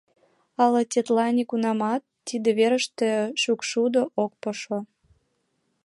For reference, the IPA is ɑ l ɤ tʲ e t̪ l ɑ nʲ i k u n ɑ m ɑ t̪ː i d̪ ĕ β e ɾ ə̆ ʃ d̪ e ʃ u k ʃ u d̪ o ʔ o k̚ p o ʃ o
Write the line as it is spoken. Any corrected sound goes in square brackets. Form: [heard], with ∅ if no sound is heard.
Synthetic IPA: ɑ l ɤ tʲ e t̪ l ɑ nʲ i k u n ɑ m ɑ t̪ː i d̪ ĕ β e ɾ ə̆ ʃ [t̪] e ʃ u k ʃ u d̪ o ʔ o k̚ p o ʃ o